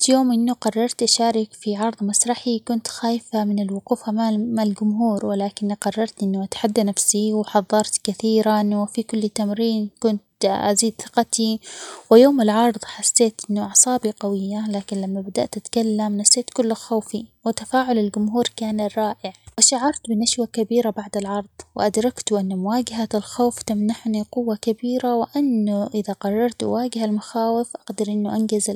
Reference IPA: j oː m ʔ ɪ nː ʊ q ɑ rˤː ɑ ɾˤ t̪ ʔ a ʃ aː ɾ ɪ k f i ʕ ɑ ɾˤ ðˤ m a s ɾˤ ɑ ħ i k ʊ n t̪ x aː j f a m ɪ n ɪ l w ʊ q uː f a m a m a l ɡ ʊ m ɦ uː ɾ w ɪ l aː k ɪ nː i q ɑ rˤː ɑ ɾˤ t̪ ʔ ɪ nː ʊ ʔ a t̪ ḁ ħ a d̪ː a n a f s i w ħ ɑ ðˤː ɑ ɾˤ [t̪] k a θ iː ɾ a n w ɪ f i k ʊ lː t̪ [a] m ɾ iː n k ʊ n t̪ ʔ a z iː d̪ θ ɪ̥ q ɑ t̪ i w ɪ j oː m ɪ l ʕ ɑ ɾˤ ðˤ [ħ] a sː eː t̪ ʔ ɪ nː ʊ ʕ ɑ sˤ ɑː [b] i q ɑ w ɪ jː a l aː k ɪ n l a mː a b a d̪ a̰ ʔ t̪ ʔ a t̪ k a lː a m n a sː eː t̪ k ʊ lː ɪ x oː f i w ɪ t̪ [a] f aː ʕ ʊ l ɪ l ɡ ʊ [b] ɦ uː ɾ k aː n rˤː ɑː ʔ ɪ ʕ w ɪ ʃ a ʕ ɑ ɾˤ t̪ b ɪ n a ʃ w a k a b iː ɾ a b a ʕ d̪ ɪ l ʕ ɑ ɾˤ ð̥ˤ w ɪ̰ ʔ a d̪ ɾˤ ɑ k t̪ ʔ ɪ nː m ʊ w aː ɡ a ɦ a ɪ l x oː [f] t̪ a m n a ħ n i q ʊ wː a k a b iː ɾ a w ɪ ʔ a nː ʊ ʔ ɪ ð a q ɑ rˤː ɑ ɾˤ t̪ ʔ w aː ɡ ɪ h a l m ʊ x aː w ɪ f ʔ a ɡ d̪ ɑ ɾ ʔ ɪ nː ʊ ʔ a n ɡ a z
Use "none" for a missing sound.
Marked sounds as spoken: t̪, a, ħ, b, a, m, f

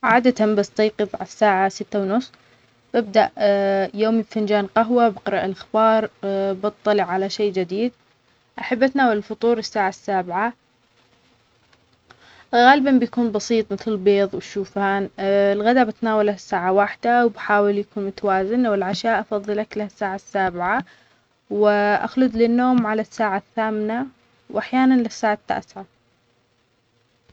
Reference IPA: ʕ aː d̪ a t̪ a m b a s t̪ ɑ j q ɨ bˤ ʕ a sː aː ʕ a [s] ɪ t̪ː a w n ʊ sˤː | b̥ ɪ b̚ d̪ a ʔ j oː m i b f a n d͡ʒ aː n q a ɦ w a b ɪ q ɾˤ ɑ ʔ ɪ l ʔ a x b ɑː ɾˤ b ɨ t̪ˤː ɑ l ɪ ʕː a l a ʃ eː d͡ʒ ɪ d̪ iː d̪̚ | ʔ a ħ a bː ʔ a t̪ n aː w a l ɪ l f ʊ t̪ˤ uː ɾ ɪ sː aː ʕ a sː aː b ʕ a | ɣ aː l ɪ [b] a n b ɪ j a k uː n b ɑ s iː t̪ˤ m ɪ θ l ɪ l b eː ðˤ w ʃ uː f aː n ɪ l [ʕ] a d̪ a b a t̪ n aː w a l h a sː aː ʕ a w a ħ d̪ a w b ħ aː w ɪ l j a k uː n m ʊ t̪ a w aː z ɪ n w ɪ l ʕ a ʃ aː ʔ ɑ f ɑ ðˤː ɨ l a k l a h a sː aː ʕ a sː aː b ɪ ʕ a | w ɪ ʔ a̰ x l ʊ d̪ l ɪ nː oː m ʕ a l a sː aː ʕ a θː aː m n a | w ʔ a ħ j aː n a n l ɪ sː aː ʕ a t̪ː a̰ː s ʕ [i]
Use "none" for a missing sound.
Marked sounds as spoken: s, b, ɣ, a

